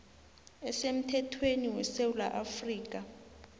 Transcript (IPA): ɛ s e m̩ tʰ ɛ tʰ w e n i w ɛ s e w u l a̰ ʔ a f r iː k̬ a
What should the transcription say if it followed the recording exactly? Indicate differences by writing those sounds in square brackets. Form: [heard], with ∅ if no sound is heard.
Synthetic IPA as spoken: ɛ s e m̩ tʰ ɛ tʰ w e n i w ɛ s e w u l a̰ ʔ a f r iː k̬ a